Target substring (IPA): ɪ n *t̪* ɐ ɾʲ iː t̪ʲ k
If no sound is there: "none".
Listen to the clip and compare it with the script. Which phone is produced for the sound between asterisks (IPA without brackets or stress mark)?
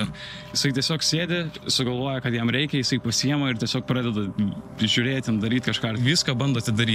d̪